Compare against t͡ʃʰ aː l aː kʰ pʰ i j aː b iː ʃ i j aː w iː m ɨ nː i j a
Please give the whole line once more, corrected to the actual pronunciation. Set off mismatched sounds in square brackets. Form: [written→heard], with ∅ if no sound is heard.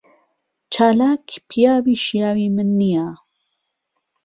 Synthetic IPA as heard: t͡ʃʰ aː l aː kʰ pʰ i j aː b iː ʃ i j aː w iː m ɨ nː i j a